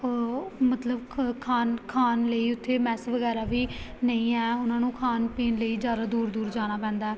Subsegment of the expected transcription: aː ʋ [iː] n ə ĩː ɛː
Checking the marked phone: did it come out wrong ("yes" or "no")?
no